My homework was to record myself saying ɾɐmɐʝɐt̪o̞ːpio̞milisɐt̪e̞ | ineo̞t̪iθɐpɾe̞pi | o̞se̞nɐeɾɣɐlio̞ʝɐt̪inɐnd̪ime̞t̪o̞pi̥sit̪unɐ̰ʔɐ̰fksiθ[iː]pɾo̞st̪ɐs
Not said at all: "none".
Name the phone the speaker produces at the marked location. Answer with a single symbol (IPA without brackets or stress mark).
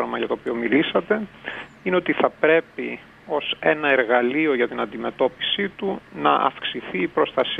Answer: iː